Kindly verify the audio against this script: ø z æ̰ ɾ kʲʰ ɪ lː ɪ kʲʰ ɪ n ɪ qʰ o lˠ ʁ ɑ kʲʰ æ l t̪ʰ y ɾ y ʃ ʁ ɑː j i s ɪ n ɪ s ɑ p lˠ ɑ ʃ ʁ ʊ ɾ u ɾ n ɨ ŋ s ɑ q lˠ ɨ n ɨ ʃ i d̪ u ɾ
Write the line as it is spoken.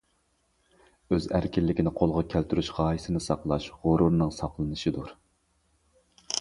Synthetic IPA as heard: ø z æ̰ ɾ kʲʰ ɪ lː ɪ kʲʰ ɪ n ɪ qʰ o lˠ ʁ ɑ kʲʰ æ l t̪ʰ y ɾ y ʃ ʁ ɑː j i s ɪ n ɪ s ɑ q lˠ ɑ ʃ ʁ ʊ ɾ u ɾ n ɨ ŋ s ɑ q lˠ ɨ n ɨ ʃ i d̪ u ɾ